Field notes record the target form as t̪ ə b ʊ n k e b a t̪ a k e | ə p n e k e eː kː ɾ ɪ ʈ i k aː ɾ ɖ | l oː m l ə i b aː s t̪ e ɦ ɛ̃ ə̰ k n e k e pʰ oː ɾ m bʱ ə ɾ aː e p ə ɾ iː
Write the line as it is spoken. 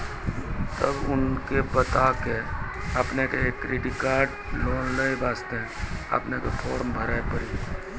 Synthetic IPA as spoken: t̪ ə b ʊ n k e b ə t̪ a k e | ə p n e k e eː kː ɾ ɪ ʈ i k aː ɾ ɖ | l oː n l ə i b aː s t̪ e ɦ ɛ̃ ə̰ p n e k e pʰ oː ɾ m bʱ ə ɾ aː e p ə ɾ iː